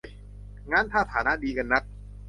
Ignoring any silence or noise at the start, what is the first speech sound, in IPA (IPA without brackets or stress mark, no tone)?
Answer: ŋ